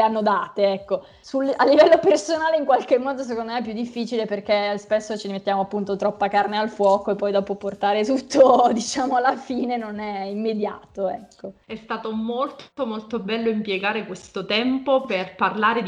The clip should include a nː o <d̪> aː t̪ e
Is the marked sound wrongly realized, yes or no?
no